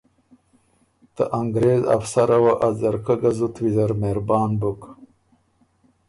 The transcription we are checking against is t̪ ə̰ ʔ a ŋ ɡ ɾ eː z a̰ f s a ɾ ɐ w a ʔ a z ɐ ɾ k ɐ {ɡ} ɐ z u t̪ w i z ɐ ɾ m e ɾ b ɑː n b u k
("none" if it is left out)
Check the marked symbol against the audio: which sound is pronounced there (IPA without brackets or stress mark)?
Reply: ɡ